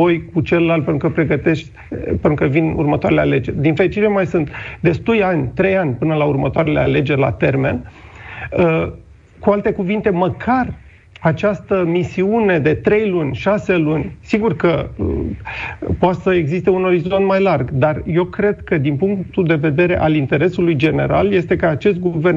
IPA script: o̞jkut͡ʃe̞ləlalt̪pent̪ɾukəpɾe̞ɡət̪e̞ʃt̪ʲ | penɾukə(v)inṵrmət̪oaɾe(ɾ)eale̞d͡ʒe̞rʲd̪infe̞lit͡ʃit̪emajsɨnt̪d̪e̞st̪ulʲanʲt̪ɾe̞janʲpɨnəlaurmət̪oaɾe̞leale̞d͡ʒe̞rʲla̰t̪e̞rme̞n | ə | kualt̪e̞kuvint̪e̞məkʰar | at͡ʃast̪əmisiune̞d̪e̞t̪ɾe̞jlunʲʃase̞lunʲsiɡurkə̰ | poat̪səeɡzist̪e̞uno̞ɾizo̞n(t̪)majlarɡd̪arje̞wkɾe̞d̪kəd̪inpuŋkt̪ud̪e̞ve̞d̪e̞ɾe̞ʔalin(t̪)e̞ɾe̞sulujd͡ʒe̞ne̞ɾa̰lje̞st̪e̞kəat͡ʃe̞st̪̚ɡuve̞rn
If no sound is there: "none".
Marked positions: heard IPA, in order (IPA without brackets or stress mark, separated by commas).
v, l, t̪, t̪